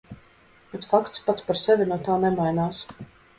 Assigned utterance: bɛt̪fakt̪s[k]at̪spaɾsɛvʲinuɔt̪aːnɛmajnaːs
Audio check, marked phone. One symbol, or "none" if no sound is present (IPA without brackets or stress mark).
p